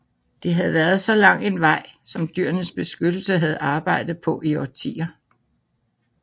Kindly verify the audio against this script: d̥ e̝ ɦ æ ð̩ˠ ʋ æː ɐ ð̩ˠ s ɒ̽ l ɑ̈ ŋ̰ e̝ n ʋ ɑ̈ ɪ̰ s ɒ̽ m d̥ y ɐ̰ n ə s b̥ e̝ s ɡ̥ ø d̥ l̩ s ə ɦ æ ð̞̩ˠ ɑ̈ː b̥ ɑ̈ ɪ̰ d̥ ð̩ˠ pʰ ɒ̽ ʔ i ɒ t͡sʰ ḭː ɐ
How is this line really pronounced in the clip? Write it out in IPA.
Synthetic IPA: d̥ e̝ ɦ æ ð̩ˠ ʋ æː ɐ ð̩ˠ s ɒ̽ l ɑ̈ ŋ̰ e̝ n ʋ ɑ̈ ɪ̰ s ɒ̽ m d̥ y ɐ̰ n ə s b̥ e̝ s ɡ̥ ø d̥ l̩ s ə ɦ æ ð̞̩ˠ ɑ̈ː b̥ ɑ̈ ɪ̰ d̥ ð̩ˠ pʰ ɒ̽ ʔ i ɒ t͡sʰ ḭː ɐ